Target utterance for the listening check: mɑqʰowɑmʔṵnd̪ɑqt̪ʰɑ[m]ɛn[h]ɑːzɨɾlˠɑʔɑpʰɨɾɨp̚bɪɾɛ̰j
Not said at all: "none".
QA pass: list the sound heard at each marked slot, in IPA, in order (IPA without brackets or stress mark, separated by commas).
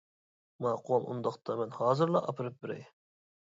m, h